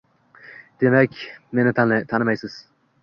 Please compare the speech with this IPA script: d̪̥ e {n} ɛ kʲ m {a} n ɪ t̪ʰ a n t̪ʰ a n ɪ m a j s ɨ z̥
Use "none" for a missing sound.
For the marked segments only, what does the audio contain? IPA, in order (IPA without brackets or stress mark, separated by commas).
m, e